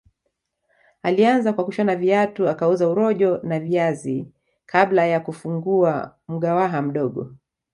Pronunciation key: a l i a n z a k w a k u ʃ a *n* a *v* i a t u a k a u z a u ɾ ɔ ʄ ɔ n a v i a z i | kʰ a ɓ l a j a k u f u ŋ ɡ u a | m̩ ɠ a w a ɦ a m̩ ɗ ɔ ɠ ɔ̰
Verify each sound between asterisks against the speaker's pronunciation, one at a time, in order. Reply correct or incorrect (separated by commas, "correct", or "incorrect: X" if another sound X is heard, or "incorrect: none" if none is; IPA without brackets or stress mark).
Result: correct, correct